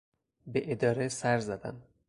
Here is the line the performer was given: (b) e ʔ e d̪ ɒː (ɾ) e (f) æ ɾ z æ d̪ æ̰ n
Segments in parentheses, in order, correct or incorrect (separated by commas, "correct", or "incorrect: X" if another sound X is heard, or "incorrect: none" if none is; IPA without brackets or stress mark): correct, correct, incorrect: s